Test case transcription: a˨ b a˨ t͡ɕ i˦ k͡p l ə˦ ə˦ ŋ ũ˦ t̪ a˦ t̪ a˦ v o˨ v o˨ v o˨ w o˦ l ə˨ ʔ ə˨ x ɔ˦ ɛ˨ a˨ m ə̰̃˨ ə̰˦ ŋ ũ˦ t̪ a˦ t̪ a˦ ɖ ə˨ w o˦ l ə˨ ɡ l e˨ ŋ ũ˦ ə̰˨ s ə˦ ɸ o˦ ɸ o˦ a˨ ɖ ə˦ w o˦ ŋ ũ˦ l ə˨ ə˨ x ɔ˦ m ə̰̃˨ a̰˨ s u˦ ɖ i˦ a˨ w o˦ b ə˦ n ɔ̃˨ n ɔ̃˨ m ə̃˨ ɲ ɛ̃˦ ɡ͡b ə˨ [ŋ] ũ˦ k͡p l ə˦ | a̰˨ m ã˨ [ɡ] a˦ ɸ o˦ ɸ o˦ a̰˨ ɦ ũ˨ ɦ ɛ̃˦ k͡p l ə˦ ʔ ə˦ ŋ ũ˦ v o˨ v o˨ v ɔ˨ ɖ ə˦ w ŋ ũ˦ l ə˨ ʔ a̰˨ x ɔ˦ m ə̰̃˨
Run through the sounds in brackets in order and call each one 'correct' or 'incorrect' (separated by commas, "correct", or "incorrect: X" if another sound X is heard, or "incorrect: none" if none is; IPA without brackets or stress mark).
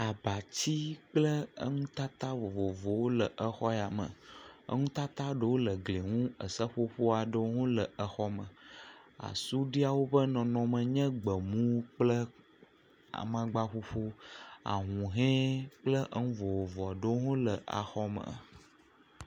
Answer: incorrect: m, incorrect: ɡ͡b